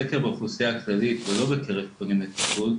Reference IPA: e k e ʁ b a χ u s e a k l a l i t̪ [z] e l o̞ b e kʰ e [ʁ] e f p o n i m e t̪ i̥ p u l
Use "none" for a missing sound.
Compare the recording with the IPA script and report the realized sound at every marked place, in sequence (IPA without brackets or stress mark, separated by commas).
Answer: v, ʁ